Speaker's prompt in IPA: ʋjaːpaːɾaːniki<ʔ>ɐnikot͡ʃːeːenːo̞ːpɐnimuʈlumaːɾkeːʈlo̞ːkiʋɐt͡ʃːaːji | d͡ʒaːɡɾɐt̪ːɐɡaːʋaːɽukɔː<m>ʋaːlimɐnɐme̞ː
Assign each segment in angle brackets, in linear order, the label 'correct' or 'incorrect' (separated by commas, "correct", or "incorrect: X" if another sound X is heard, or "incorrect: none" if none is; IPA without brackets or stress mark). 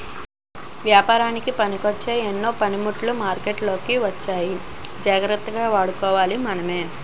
incorrect: p, incorrect: none